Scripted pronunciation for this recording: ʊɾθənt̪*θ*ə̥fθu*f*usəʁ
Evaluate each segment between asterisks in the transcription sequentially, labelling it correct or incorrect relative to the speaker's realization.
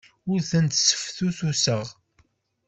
incorrect, incorrect

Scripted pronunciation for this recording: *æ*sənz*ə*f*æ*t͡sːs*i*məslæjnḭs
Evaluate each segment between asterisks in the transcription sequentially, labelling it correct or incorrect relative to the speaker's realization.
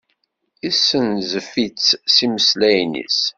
incorrect, correct, incorrect, correct

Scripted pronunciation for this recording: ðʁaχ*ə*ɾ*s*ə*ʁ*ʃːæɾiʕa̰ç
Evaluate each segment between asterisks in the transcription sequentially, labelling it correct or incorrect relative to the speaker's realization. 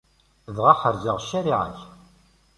correct, incorrect, correct

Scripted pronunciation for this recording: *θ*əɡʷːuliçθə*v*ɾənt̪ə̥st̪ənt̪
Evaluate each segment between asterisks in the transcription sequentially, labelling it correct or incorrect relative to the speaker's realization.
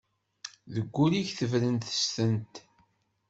incorrect, correct

